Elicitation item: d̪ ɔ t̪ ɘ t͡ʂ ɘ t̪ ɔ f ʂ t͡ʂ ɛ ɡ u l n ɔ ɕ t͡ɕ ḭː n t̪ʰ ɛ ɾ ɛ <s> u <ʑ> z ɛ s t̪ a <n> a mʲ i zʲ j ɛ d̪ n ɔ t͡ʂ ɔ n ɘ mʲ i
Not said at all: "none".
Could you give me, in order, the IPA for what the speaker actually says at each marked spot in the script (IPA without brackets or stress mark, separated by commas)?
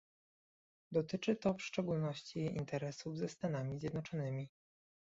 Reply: s, v, n